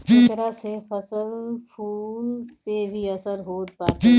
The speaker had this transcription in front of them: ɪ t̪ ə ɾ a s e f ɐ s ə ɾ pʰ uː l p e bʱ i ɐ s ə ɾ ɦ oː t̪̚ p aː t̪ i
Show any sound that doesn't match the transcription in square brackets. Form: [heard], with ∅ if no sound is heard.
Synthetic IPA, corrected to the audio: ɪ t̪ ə ɾ a s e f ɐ s ə [l] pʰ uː l p e bʱ i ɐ s ə ɾ ɦ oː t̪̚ p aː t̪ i